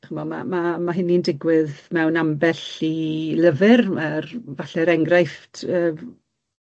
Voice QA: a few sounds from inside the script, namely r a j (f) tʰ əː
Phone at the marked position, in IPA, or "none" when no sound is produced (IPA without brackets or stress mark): f